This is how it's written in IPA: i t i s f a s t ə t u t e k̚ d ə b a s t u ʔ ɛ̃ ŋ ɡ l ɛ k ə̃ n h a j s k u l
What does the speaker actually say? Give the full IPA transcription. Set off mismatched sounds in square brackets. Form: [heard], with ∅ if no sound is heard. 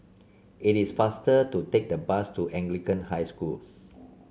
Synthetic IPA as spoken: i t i s f a s t ə t u t e k̚ d ə b a s t u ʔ ɛ̃ ŋ ɡ l [i] k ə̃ n h a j s k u l